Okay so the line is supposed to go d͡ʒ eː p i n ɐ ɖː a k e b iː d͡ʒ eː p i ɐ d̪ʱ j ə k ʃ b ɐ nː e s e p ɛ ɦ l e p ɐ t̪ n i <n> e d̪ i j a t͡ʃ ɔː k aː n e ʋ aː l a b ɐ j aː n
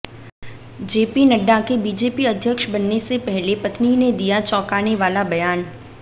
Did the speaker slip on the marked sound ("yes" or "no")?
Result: no